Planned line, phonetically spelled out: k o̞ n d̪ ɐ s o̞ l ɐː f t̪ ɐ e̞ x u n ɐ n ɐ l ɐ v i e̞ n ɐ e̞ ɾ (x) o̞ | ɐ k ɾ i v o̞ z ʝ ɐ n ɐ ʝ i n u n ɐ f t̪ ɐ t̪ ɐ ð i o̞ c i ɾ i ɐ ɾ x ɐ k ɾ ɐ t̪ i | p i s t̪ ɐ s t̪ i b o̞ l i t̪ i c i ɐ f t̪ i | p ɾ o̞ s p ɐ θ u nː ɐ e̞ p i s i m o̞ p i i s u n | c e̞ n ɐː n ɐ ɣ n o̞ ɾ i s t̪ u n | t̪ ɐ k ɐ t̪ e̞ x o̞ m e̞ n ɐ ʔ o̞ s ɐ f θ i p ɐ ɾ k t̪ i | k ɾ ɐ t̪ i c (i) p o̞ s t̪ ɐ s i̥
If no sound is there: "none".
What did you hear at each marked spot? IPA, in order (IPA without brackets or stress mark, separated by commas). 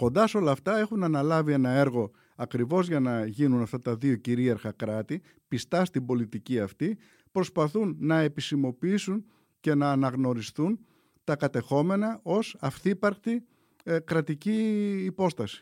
ɣ, iː